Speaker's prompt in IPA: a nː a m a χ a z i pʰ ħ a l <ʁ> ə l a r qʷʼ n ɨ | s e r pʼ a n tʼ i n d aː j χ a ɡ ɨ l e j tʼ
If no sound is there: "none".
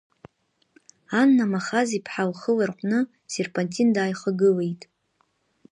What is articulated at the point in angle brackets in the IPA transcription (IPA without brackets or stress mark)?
χ